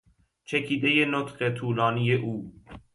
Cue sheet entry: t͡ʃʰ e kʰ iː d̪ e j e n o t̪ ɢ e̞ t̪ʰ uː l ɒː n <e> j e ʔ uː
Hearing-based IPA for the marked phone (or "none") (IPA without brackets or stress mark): i